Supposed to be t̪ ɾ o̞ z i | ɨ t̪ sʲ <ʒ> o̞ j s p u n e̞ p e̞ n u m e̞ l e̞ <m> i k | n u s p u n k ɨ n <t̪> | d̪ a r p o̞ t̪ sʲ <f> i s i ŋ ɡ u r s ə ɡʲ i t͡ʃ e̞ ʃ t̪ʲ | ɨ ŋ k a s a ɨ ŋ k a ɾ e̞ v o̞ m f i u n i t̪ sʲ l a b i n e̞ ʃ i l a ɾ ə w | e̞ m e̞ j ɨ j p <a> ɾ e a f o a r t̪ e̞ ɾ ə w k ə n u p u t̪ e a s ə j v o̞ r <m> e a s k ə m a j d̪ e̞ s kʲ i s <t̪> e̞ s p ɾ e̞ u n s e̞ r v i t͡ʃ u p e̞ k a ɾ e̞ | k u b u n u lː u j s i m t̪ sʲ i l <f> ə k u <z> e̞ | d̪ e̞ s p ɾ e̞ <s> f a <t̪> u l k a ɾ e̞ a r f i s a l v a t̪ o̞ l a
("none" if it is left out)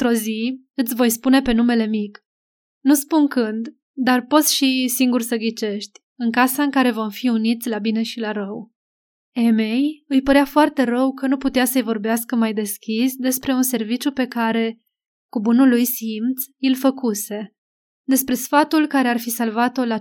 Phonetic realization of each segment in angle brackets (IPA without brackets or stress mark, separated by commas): v, m, d̪, ʃ, ə, b, d̪, f, s, s, t̪